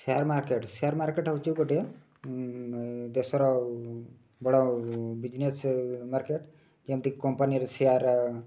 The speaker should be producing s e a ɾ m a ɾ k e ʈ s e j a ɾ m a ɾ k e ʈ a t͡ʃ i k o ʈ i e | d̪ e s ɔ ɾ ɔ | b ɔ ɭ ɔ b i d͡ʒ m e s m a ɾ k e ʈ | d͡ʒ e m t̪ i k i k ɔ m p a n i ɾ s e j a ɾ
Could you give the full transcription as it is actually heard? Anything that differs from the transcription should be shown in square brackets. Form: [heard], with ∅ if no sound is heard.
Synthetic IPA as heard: s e a ɾ m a ɾ k e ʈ s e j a ɾ m a ɾ k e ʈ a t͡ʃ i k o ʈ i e | d̪ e s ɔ ɾ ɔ | b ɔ [ɽ] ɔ b i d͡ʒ [n] e s m a ɾ k e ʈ | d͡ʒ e m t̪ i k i k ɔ m p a n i ɾ s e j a ɾ